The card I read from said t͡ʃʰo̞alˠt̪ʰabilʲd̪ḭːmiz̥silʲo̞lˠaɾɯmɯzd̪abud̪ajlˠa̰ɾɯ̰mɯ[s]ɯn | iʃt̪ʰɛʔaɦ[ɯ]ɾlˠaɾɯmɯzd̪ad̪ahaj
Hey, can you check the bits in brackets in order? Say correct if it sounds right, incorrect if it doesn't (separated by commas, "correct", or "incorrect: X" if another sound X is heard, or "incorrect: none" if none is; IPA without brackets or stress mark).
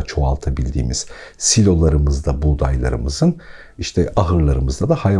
incorrect: z, correct